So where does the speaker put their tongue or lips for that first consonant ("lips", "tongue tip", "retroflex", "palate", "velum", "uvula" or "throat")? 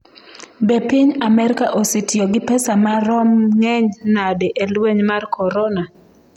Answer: lips